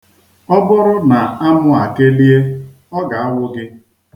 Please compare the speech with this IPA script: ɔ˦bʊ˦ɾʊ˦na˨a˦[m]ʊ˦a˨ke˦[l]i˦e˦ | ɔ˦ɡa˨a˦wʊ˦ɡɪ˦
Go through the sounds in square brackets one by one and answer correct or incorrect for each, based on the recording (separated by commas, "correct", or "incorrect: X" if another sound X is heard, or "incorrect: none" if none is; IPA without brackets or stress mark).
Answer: correct, correct